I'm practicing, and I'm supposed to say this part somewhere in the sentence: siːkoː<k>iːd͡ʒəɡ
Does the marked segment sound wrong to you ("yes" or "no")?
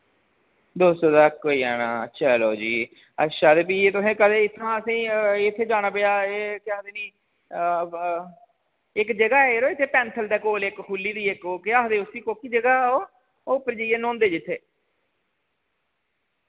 no